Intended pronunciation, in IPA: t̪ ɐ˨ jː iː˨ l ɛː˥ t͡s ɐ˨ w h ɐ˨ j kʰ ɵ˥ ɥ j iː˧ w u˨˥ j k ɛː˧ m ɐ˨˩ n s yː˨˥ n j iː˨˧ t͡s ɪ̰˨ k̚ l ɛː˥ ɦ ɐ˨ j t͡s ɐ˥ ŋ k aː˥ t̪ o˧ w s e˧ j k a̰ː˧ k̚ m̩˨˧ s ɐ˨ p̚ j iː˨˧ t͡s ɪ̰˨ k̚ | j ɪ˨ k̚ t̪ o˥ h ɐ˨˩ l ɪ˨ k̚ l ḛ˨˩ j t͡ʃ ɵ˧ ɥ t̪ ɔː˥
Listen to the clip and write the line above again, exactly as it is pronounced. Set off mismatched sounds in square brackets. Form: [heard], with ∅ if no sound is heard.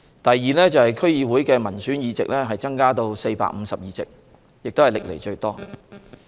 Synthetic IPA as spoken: t̪ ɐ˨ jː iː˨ l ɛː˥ t͡s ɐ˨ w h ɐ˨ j kʰ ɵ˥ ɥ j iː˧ w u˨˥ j k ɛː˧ m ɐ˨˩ n s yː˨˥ n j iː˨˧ t͡s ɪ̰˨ k̚ l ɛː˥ ɦ ɐ˨ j t͡s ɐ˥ ŋ k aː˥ t̪ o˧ w s e˧ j [p] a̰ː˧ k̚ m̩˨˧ s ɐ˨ p̚ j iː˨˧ t͡s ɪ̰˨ k̚ | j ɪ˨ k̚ t̪ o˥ h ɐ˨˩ l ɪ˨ k̚ l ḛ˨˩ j t͡ʃ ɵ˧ ɥ t̪ ɔː˥